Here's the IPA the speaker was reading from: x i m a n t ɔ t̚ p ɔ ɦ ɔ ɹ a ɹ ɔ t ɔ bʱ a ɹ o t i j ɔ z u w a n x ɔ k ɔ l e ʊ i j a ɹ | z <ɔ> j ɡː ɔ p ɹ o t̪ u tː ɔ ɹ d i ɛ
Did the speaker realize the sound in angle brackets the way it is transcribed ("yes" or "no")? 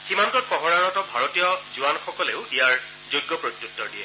no